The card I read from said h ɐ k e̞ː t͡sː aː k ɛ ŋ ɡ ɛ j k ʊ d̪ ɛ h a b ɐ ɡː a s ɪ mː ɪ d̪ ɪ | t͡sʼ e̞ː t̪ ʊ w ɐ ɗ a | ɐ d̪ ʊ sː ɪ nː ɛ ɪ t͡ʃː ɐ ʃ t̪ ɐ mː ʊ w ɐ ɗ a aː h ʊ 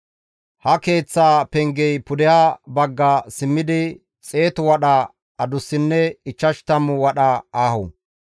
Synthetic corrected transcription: h ɐ k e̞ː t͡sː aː p ɛ ŋ ɡ ɛ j p ʊ d̪ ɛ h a b ɐ ɡː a s ɪ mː ɪ d̪ ɪ | t͡sʼ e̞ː t̪ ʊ w ɐ ɗ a | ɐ d̪ ʊ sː ɪ nː ɛ ɪ t͡ʃː ɐ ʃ t̪ ɐ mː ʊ w ɐ ɗ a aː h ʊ